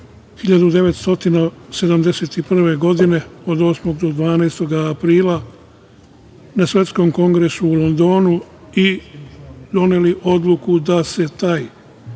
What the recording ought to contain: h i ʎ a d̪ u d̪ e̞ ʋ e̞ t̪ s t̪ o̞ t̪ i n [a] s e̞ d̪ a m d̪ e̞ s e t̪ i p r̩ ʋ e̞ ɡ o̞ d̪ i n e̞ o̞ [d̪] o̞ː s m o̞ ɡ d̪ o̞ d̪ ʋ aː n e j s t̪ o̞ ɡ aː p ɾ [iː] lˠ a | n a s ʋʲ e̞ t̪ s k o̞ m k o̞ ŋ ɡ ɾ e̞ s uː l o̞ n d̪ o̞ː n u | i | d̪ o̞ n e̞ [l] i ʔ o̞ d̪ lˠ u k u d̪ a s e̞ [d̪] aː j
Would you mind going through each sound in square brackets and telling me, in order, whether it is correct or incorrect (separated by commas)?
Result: correct, correct, correct, correct, incorrect